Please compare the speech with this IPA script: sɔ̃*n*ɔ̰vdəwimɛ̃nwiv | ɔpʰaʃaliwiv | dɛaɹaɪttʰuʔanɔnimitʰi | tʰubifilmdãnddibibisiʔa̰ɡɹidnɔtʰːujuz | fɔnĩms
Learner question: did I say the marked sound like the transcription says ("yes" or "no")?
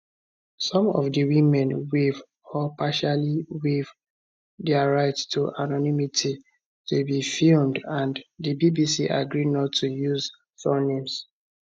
no